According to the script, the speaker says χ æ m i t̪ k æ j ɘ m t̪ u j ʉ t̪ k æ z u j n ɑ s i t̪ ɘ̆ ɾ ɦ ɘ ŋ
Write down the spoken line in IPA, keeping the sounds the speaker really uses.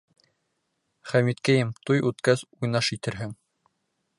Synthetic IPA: χ æ m i t̪ k æ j ɘ m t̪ u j ʉ t̪ k æ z u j n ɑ ʃ i t̪ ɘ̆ ɾ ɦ ɘ ŋ